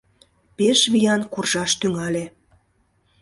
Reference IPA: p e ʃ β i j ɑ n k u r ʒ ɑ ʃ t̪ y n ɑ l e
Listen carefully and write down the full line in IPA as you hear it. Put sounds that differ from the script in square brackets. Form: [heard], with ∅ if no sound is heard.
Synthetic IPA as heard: p e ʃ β i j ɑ n k u r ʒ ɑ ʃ t̪ y [ŋ] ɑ l e